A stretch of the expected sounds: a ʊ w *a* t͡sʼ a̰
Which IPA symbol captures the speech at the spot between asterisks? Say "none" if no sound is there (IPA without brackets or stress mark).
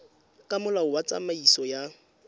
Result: a